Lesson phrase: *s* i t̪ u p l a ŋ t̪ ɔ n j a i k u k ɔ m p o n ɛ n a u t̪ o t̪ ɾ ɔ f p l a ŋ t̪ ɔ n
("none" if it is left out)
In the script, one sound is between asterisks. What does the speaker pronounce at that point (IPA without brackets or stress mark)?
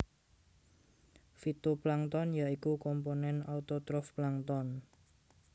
f